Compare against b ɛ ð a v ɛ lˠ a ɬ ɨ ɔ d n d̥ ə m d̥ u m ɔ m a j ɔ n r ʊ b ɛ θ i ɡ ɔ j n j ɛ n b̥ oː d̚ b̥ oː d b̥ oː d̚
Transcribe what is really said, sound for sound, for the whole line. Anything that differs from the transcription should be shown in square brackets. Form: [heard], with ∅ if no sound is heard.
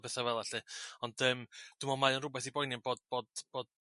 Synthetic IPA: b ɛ [θ] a v ɛ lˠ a ɬ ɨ ɔ [∅] n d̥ ə m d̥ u m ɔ m a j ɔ n r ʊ b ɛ θ i [b] ɔ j n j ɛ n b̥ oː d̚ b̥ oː d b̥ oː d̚